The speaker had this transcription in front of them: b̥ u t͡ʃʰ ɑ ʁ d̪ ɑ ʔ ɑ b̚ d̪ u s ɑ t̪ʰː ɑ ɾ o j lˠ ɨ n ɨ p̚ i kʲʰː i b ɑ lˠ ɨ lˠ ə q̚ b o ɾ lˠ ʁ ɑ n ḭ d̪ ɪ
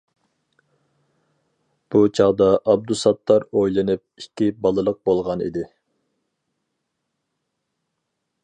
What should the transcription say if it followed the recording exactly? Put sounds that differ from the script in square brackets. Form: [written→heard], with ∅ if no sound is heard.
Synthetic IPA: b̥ u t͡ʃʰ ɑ ʁ d̪ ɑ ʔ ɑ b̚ d̪ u s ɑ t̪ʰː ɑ ɾ o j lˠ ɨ n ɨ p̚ i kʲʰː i b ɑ lˠ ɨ lˠ ə q̚ b o [ɾ→∅] lˠ ʁ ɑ n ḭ d̪ ɪ